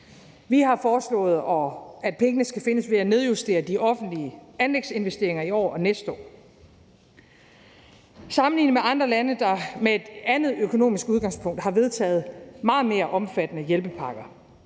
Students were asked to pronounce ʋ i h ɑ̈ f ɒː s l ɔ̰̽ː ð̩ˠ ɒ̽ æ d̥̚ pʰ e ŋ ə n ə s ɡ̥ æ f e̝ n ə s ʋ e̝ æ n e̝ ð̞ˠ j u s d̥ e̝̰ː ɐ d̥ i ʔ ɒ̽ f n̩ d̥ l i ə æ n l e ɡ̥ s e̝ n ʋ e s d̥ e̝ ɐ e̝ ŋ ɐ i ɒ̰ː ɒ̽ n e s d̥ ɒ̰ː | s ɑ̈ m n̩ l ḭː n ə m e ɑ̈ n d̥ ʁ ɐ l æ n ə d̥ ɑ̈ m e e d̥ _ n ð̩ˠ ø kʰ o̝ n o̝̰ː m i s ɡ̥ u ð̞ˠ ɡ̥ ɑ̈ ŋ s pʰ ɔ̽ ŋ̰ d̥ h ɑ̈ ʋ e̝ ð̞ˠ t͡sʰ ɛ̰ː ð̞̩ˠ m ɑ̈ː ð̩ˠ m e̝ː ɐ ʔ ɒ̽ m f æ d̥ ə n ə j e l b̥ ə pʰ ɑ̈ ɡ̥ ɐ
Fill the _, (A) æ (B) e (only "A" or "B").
A